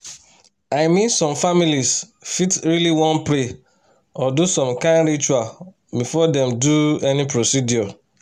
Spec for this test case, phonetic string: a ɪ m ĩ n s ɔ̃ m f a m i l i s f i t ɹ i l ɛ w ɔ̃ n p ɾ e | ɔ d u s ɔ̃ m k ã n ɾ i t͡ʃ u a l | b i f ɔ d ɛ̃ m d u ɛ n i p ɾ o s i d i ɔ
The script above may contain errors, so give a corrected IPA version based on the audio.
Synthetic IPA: a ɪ m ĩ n s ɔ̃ m f a m i l i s f i t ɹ i l i w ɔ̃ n p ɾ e | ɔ d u s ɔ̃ m k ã n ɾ i t͡ʃ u a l | b i f ɔ d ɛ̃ m d u ɛ n i p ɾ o s i d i ɔ